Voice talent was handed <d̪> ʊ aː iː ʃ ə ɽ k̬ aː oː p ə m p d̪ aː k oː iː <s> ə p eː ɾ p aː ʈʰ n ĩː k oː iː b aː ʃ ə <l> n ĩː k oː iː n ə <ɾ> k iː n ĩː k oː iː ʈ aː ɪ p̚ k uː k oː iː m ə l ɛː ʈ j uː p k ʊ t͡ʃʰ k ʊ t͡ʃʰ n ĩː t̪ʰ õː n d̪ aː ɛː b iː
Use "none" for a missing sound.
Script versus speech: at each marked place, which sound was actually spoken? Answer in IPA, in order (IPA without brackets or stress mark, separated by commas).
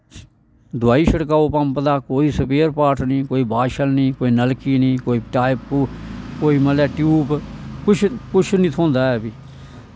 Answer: d̪, s, l, l